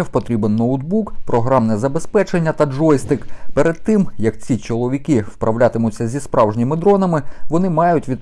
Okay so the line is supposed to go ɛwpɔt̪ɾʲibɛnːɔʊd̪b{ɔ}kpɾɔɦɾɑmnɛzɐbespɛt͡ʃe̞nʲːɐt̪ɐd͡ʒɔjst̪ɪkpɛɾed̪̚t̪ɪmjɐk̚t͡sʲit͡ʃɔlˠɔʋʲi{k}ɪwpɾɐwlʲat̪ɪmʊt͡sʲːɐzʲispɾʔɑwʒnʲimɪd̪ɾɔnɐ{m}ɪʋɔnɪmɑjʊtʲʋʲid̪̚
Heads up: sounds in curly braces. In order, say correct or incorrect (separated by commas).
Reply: incorrect, correct, correct